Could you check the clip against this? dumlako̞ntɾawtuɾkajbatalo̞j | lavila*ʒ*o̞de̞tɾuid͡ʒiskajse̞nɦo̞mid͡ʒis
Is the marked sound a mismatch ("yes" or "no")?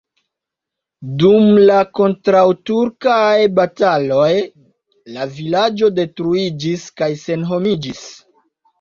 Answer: yes